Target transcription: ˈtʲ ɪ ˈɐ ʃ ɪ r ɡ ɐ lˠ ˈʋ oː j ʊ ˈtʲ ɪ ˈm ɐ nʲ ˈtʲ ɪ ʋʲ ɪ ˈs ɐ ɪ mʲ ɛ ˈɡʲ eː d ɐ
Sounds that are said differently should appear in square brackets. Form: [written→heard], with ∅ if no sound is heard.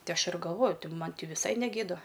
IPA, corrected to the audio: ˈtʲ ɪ ˈɐ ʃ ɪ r ɡ ɐ lˠ ˈʋ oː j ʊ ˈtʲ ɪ ˈm ɐ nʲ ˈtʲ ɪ ʋʲ ɪ ˈs ɐ ɪ [mʲ→nʲ] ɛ ˈɡʲ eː d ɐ